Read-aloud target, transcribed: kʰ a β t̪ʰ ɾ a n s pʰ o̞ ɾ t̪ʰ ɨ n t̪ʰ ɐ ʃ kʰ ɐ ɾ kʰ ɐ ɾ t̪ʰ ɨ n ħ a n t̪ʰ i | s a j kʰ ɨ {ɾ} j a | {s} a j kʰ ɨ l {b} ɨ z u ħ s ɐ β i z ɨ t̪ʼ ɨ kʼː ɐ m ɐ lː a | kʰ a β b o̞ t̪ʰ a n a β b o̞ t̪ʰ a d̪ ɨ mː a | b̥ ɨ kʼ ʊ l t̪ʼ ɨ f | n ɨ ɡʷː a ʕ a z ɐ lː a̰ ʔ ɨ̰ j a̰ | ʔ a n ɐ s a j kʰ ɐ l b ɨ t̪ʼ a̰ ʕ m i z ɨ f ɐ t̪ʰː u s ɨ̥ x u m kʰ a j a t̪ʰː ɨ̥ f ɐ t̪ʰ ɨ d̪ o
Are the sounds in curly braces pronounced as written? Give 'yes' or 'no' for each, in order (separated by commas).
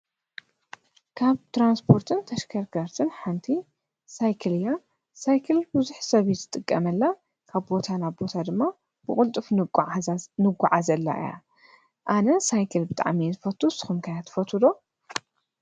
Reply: no, yes, yes